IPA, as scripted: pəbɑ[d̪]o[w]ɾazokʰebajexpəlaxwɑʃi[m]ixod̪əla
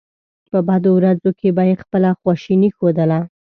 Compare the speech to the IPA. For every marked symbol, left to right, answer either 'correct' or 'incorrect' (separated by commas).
correct, correct, incorrect